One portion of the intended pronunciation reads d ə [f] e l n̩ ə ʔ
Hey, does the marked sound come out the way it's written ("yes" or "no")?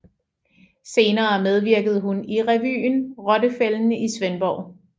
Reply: yes